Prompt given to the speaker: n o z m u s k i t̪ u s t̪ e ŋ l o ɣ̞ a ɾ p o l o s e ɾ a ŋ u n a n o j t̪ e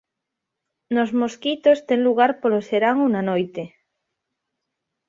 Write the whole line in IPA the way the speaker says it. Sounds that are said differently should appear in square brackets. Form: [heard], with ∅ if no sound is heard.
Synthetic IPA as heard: n o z m [o] s k i t̪ [o] s t̪ e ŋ l [u] ɣ̞ a ɾ p o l o s e ɾ a ŋ u n a n o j t̪ e

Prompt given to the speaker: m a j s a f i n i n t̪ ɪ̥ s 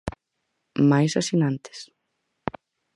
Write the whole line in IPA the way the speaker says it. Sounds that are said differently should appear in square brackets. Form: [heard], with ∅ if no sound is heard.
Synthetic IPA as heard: m a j s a [s] i n [a] n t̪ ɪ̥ s

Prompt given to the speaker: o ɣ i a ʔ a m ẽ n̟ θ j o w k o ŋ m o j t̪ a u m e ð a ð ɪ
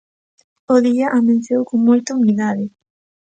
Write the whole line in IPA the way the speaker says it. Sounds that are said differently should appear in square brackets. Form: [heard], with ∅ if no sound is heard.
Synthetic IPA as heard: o [ð] i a ʔ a m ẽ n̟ θ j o w k o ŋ m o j t̪ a u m [i] ð a ð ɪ

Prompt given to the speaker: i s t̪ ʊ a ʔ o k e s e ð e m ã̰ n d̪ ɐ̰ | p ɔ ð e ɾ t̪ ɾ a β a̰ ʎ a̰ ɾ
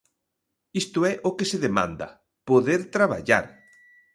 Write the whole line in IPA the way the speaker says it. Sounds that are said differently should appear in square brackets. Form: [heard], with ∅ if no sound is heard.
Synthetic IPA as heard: i s t̪ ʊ [ɛ] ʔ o k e s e ð e m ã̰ n d̪ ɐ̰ | p [o] ð e ɾ t̪ ɾ a β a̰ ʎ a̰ ɾ

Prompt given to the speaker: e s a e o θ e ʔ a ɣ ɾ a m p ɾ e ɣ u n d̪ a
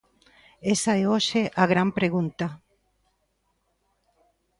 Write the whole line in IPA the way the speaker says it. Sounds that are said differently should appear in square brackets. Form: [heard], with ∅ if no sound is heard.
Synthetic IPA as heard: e s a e o [ʃ] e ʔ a ɣ ɾ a m p ɾ e ɣ u n [t̪] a

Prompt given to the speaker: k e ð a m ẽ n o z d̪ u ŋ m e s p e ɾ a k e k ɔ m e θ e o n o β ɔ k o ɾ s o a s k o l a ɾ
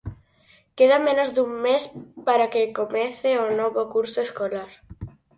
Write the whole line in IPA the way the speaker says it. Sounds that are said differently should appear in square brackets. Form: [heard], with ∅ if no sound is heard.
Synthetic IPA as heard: k e ð a m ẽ n o z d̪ u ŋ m e s p [a] ɾ a k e k [o] m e θ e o n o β [o] k [u] ɾ s o [e] s k o l a ɾ

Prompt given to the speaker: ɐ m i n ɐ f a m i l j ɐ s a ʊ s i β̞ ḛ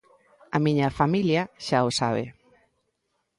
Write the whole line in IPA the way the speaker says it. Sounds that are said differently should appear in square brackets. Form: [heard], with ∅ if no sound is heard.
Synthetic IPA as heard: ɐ m i [ɲ] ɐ f a m i l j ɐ [ʃ] a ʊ s [a] β̞ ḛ

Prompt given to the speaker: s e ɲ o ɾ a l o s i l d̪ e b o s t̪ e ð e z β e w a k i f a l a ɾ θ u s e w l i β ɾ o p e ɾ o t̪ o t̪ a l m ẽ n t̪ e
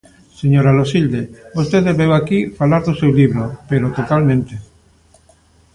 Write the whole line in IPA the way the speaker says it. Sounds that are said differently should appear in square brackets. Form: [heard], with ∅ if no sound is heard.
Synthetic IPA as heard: s e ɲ o ɾ a l o s i l d̪ e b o s t̪ e ð e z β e w a k i f a l a ɾ [ð] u s e w l i β ɾ o p e ɾ o t̪ o t̪ a l m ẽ n t̪ e

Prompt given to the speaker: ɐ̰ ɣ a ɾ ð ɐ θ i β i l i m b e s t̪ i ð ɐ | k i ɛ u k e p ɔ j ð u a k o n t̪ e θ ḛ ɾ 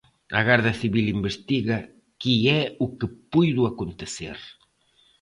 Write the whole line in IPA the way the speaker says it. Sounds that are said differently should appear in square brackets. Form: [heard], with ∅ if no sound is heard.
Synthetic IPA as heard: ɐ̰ ɣ a ɾ ð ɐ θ i β i l i m b e s t̪ i [ɣ] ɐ | k i ɛ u k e p [u] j ð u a k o n t̪ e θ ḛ ɾ

